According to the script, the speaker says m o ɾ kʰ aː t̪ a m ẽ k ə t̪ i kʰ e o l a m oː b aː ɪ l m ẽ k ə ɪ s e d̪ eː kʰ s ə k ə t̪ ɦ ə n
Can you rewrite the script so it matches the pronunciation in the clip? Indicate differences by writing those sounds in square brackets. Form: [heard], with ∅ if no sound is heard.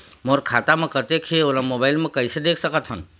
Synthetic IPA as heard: m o ɾ kʰ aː t̪ a m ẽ k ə t̪ [e] kʰ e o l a m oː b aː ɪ l m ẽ k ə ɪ s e d̪ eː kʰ s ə k ə t̪ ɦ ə n